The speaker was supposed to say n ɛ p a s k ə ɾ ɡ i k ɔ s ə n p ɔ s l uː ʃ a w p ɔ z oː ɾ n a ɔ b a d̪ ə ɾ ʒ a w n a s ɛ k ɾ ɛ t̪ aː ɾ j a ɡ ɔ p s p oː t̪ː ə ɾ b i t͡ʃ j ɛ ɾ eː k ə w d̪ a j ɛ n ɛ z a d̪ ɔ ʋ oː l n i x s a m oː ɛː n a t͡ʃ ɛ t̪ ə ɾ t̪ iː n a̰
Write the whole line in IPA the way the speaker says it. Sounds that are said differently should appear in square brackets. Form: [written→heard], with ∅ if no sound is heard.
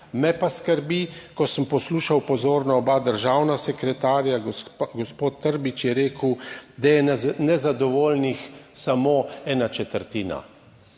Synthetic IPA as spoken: [n→m] ɛ p a s k ə ɾ [ɡ→b] i k ɔ s ə [n→m] p ɔ s l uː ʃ a w p ɔ z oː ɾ n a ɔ b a d̪ ə ɾ ʒ a w n a s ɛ k ɾ ɛ t̪ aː ɾ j a ɡ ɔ [p→∅] s p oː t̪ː ə ɾ b i t͡ʃ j ɛ ɾ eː k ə w d̪ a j ɛ n ɛ z a d̪ ɔ ʋ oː l n i x s a m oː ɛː n a t͡ʃ ɛ t̪ ə ɾ t̪ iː n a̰